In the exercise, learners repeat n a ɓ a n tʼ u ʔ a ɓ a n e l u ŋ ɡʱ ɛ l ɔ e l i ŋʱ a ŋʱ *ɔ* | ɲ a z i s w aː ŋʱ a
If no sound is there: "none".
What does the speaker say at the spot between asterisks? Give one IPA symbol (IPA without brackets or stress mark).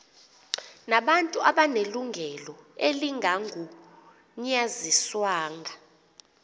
u